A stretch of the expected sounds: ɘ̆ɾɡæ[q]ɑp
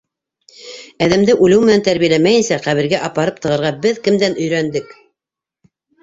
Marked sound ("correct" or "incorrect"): incorrect